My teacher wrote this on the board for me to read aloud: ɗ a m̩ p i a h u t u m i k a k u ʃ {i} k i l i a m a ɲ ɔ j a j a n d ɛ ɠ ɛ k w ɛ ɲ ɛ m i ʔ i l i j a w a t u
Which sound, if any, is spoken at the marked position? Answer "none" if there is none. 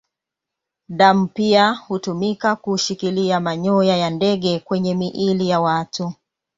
i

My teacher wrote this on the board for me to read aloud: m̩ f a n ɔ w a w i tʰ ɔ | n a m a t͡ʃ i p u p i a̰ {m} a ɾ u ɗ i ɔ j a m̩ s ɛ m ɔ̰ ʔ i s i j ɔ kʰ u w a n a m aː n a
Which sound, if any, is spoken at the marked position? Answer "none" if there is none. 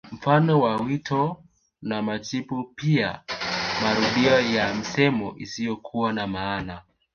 m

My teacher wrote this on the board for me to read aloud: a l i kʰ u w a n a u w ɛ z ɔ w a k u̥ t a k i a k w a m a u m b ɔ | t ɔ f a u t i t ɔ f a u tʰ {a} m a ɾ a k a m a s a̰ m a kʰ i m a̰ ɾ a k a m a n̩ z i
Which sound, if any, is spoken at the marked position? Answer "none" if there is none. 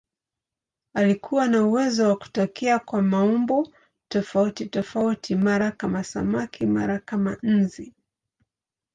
i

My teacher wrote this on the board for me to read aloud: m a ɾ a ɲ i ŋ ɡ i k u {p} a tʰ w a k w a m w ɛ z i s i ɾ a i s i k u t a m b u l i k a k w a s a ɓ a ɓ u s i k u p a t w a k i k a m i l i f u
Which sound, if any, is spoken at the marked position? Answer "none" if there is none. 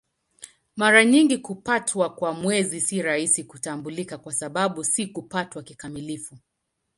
p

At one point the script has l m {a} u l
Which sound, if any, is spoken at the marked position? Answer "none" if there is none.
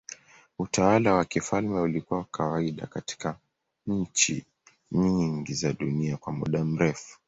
ɛ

